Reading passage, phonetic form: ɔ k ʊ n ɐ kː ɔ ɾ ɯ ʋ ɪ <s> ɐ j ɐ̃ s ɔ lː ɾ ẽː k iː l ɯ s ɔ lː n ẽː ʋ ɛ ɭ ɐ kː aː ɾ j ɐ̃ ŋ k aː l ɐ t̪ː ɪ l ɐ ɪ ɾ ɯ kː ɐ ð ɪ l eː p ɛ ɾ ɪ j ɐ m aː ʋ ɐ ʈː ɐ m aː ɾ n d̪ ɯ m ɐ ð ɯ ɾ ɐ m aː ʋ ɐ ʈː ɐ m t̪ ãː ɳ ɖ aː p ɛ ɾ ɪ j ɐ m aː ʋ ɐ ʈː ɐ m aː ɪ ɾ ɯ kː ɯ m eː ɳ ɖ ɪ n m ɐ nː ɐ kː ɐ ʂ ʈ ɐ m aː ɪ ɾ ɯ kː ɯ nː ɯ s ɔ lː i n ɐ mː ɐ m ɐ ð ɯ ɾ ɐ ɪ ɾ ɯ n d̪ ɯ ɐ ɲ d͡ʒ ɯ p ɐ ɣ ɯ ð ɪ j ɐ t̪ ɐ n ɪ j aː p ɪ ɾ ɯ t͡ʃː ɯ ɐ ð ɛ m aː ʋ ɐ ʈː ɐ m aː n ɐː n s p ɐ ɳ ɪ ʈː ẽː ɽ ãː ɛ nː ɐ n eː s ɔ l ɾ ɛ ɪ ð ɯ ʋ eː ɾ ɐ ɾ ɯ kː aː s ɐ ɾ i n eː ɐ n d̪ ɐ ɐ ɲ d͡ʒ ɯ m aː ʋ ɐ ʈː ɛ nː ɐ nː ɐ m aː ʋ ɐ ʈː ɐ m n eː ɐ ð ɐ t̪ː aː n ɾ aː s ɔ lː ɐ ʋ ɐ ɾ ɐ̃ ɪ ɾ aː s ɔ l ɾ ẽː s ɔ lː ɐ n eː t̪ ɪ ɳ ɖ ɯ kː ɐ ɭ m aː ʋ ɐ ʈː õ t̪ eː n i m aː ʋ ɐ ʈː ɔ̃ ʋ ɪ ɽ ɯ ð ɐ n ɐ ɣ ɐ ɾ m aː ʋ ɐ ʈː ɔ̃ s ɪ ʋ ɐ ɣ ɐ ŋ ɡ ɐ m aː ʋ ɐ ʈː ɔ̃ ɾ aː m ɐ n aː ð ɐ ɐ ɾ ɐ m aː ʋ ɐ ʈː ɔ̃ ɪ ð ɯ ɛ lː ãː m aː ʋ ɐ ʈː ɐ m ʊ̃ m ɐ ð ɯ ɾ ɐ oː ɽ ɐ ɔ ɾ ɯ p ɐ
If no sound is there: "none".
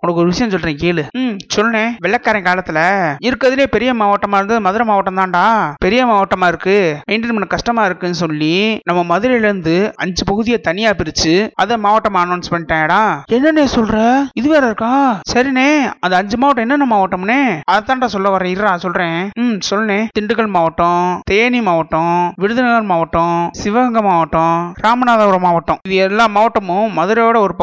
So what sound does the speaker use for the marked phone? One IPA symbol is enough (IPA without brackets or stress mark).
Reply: ʂ